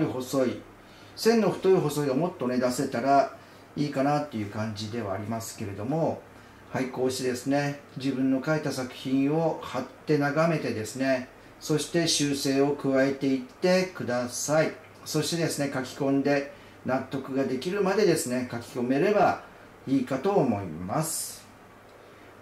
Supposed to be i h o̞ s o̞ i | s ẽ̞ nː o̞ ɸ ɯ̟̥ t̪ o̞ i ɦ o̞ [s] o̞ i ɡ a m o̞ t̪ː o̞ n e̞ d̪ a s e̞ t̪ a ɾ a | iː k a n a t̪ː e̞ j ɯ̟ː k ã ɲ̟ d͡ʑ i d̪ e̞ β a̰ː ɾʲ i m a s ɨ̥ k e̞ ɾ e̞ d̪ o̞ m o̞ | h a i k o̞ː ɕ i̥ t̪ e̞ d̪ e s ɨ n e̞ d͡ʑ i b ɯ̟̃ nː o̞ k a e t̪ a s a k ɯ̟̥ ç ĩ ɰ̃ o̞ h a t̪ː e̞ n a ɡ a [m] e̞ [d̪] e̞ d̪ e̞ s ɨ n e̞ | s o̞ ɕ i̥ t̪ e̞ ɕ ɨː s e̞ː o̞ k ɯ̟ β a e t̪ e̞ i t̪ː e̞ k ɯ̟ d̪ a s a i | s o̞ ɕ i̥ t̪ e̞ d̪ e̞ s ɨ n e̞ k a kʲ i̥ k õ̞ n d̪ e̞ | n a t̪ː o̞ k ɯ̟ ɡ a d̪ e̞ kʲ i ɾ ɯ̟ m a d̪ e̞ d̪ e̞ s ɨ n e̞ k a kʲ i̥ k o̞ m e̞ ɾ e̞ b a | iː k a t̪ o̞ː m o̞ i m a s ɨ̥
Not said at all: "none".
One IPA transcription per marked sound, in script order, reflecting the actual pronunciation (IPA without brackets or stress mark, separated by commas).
s, m, t̪